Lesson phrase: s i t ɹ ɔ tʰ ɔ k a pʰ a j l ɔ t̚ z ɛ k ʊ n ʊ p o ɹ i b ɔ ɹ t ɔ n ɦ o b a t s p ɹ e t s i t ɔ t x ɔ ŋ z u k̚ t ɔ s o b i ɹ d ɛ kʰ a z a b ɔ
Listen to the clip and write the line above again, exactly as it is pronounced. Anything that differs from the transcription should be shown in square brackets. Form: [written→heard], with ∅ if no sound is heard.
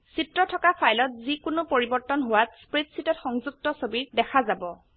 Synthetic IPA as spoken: s i t ɹ ɔ tʰ ɔ k a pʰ a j l ɔ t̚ z [ɛ→i] k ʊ n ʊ p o ɹ i b ɔ ɹ t ɔ n ɦ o [b→w] a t s p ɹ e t s i t ɔ t x ɔ ŋ z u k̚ t ɔ s o b i ɹ d ɛ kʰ a z a b ɔ